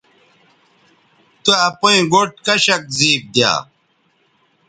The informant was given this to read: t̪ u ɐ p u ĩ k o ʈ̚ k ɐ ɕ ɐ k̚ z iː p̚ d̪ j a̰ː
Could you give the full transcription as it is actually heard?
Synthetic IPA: t̪ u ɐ p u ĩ ɡ o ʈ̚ k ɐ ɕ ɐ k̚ z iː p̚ d̪ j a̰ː